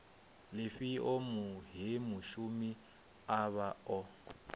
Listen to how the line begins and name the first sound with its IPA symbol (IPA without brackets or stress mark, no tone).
l